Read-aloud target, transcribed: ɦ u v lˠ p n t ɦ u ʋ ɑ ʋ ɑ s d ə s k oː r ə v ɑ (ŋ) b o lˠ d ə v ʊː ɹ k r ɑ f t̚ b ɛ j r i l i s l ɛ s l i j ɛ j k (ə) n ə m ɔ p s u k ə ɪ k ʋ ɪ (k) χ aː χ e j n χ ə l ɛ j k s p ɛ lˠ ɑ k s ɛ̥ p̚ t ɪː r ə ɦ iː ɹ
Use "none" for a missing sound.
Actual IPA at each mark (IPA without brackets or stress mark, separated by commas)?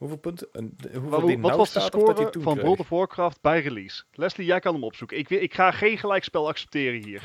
n, ɑ, k